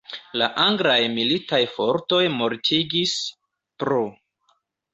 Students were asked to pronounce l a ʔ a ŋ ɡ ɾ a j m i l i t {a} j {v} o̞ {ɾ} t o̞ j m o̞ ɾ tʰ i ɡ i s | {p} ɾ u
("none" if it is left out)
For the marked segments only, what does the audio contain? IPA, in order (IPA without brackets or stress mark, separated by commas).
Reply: a, f, ɾ, p